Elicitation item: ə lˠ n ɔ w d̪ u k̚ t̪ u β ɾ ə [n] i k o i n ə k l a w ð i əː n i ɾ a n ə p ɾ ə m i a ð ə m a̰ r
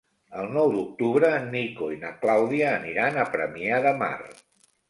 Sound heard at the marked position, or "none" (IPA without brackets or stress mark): n